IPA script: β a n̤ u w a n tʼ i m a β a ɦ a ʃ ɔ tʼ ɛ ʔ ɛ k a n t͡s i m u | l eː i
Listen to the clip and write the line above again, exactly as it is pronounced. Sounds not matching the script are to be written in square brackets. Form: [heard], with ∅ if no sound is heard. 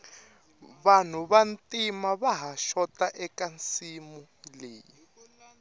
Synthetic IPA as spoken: β a n̤ u [β] a n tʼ i m a β a ɦ a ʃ ɔ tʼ [a] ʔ ɛ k a n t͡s i m u | l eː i